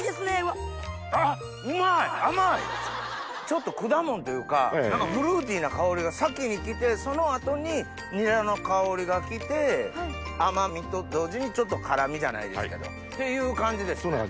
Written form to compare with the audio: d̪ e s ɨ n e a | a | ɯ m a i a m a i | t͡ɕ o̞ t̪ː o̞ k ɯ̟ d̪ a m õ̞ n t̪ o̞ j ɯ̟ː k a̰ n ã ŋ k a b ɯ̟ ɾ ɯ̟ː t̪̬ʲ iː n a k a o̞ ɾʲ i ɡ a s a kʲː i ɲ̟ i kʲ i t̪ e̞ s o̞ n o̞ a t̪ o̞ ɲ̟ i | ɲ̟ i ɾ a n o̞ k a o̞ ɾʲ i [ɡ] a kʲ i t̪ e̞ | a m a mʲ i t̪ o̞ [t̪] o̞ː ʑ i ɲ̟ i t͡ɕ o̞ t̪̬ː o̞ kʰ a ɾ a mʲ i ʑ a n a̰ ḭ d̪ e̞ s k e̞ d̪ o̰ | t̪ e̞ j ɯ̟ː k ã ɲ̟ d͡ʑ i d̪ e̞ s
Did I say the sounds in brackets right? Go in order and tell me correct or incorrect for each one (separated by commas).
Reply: correct, incorrect